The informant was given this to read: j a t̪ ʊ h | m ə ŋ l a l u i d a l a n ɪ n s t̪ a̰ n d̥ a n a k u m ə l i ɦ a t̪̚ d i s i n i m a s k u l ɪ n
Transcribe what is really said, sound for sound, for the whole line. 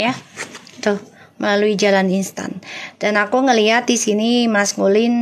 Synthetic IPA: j a t̪ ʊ h | m ə l a l u i d͡ʒ a l a n i n s t̪ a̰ n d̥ a n a k u ŋ ə l i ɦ a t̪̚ d i s i n i m a s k u l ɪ n